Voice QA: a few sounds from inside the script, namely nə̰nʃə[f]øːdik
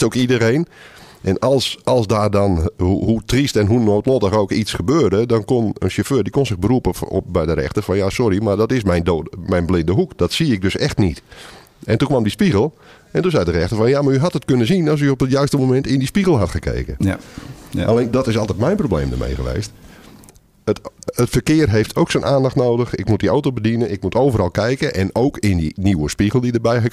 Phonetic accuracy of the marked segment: correct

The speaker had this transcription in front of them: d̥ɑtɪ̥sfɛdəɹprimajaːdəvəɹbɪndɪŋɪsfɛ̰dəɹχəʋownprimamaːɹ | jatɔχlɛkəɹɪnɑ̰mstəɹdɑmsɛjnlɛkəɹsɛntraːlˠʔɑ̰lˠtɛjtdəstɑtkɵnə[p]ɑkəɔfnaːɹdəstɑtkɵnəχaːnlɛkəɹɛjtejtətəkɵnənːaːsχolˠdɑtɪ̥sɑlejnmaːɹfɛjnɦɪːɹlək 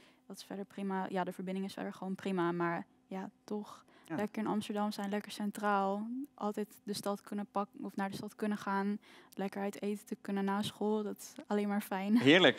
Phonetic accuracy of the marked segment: correct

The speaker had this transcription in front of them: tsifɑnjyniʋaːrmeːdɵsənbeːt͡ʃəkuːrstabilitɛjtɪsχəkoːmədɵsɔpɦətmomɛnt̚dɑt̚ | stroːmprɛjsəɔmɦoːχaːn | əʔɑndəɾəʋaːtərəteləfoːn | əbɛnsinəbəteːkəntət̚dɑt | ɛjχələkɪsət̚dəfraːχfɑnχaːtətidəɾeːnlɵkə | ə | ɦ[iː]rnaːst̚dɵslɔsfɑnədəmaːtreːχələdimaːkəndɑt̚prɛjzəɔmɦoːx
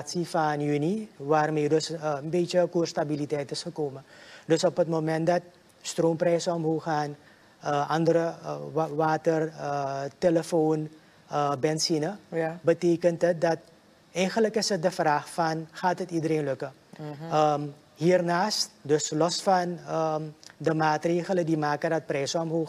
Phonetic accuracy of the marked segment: correct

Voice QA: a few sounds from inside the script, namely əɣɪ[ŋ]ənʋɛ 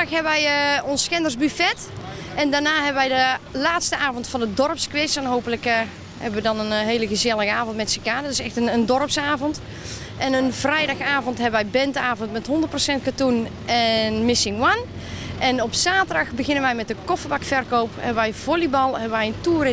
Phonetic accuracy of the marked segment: incorrect: n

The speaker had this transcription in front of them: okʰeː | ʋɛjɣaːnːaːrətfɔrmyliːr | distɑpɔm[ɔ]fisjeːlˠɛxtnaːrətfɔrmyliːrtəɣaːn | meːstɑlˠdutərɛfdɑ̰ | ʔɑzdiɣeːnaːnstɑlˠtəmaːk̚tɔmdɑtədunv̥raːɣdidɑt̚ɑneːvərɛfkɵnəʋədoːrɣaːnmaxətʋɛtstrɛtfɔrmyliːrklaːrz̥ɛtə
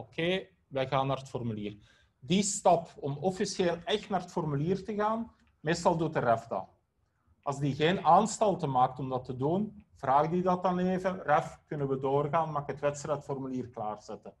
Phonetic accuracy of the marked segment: correct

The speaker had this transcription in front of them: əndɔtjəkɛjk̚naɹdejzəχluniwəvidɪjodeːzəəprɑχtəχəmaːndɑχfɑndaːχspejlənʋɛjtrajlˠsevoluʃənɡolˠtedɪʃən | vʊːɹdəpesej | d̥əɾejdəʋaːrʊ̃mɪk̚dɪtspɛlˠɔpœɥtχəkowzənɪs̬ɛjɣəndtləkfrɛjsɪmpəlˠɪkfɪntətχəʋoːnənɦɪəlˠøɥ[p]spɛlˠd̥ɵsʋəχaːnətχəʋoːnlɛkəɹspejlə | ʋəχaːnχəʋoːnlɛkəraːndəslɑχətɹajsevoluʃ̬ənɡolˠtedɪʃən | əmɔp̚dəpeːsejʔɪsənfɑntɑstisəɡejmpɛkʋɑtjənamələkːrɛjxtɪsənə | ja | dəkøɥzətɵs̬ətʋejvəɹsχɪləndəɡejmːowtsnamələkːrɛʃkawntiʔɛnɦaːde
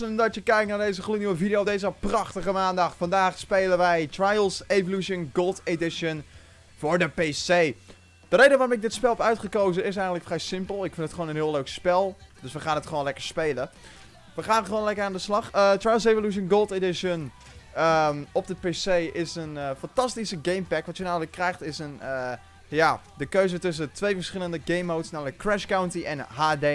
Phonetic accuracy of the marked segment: incorrect: k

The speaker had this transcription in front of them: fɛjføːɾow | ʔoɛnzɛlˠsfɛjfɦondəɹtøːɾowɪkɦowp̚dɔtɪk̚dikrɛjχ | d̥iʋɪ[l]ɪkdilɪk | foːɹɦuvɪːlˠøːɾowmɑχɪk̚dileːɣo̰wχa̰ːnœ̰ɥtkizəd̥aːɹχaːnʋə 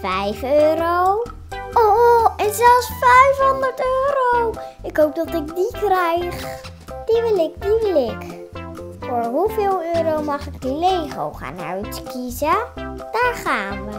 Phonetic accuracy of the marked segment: correct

